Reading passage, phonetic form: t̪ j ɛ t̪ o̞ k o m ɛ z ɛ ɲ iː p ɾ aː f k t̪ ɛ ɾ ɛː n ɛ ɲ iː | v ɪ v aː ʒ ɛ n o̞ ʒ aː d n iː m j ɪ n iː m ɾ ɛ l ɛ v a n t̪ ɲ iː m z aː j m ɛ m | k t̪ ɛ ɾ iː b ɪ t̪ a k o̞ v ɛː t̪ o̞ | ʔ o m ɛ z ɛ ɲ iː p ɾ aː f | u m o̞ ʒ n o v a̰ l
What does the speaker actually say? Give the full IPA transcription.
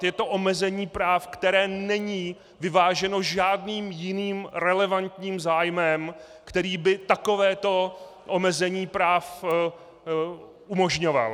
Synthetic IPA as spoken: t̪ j ɛ t̪ o̞ ʔ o m ɛ z ɛ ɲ iː p ɾ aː f k t̪ ɛ ɾ ɛː n ɛ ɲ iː | v ɪ v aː ʒ ɛ n o̞ ʒ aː d n iː m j ɪ n iː m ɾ ɛ l ɛ v a n t̪ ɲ iː m z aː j m ɛ m | k t̪ ɛ ɾ iː b ɪ t̪ a k o̞ v ɛː t̪ o̞ | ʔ o m ɛ z ɛ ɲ iː p ɾ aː f | u m o̞ ʒ ɲ o v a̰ l